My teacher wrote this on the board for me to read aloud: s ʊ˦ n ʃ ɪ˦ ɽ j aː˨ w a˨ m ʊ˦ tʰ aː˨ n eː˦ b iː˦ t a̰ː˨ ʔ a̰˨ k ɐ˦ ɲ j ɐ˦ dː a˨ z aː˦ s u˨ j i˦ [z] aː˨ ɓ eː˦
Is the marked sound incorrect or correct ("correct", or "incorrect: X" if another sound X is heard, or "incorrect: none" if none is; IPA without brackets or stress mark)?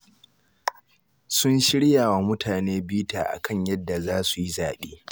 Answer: correct